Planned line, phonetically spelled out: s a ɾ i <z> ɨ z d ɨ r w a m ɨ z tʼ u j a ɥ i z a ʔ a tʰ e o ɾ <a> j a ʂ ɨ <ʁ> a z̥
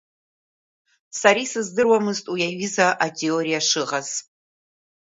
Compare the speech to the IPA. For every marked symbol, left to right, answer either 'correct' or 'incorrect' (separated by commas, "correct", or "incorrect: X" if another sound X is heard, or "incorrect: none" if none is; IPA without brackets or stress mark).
incorrect: s, incorrect: i, correct